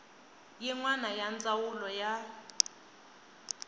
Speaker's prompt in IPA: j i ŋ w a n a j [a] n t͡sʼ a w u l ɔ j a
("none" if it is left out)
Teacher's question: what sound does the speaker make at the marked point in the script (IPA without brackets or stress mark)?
a